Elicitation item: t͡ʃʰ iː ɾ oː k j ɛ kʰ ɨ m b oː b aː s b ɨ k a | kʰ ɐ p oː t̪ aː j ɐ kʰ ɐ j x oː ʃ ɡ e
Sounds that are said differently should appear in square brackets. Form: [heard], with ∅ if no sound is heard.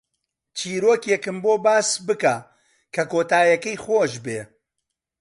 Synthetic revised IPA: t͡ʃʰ iː ɾ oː k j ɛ [k] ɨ m b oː b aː s b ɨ k a | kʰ ɐ [k] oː t̪ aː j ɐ [k] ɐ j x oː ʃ [b] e